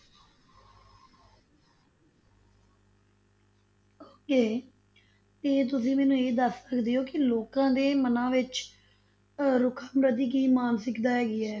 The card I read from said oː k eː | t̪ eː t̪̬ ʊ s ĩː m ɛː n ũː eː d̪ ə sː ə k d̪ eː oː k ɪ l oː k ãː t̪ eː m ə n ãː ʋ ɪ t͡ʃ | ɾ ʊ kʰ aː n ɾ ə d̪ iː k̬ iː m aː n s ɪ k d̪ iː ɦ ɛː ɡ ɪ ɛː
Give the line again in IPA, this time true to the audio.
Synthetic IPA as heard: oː k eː | t̪ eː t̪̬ ʊ s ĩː m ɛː n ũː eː d̪ ə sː ə k d̪ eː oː k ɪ l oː k ãː d̪ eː m ə n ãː ʋ ɪ t͡ʃ | ɾ ʊ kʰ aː m ɾ ə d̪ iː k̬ iː m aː n s ɪ k d̪ aː ɦ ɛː ɡ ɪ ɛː